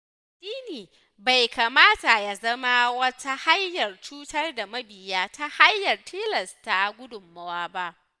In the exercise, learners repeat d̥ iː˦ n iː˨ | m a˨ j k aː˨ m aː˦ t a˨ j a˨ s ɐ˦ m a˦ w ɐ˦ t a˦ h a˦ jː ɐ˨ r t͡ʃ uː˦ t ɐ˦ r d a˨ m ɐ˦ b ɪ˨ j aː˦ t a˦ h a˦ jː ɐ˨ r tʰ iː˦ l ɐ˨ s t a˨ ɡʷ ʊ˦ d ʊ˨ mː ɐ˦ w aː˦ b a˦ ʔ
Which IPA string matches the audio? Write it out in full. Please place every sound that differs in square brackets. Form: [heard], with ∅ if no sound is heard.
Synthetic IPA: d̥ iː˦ n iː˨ | [b] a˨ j k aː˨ m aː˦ t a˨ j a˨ [z] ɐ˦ m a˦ w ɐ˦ t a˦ h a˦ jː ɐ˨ r t͡ʃ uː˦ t ɐ˦ r d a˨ m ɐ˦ b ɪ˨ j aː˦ t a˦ h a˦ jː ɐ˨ r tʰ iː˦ l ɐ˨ s t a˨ ɡʷ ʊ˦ d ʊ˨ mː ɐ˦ w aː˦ b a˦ ʔ